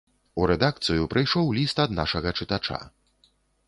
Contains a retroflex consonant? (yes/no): yes